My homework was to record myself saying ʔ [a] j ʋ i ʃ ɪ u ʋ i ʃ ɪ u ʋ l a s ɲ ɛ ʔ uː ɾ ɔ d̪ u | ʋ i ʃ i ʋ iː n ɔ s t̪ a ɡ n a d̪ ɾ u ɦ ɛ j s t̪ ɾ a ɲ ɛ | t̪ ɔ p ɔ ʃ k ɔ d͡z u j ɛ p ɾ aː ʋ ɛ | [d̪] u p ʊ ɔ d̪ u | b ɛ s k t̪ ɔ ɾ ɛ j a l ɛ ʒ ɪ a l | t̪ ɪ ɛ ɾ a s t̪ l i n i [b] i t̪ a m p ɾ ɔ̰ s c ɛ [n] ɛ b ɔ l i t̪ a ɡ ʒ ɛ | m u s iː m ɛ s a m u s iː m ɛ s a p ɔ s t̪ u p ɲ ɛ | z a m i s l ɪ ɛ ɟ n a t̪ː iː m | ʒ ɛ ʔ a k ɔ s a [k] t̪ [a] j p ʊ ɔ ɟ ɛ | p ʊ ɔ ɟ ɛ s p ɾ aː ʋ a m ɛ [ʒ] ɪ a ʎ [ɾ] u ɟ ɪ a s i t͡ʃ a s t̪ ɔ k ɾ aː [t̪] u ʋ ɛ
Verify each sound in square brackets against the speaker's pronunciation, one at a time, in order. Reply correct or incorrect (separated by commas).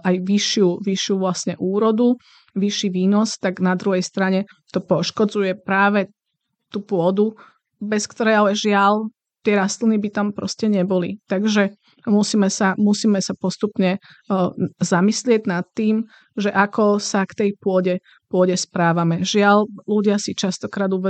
correct, incorrect, correct, incorrect, correct, incorrect, correct, incorrect, incorrect